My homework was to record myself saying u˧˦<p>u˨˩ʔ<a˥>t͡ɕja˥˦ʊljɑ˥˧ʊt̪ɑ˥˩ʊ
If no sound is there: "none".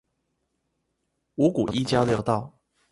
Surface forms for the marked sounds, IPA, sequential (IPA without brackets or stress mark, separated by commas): k, i˥